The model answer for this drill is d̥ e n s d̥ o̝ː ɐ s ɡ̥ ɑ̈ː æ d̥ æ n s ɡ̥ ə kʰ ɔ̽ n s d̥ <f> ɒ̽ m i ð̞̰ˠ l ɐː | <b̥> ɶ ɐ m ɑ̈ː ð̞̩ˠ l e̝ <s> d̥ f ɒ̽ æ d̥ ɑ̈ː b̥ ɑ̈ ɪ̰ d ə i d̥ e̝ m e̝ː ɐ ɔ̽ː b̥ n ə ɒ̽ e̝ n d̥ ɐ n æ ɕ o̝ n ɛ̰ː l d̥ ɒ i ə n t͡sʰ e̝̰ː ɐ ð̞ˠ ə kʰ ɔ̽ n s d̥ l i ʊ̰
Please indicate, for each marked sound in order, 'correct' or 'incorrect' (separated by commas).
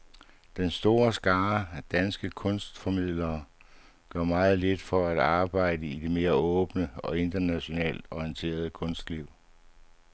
correct, incorrect, incorrect